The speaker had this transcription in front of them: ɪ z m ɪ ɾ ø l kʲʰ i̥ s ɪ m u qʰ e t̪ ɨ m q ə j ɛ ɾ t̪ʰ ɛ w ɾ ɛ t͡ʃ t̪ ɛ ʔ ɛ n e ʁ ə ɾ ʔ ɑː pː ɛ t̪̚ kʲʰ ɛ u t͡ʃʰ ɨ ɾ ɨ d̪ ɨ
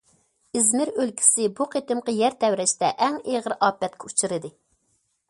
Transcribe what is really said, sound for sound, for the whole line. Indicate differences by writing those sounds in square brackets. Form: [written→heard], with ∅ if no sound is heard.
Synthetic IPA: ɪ z m ɪ ɾ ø l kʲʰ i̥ s ɪ [m→b] u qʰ e t̪ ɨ m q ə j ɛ ɾ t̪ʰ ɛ w ɾ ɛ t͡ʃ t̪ ɛ ʔ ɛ [n→ŋ] e ʁ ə ɾ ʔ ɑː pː ɛ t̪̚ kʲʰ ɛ u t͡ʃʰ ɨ ɾ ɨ d̪ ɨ